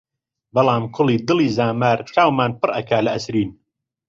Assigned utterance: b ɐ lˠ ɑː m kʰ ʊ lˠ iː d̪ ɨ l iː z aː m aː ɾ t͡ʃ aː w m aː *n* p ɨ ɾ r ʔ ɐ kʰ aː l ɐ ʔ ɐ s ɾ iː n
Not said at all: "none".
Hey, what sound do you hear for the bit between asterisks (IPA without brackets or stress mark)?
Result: n